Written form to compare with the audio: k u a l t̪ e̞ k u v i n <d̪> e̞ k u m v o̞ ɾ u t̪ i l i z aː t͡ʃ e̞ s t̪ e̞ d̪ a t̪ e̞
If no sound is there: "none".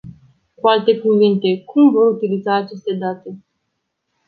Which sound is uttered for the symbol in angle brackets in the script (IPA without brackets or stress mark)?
t̪